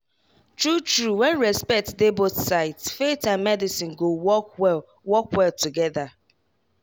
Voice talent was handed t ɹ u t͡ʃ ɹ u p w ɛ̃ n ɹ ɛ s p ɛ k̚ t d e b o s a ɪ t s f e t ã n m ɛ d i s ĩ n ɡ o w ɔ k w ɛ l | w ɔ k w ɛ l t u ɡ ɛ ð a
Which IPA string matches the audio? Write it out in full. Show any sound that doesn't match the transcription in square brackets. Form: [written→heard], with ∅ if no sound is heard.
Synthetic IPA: t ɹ u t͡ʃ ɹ u [p→∅] w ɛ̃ n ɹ ɛ s p ɛ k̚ t d e b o s a ɪ t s f e t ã n m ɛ d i s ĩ n ɡ o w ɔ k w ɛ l | w ɔ k w ɛ l t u ɡ ɛ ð a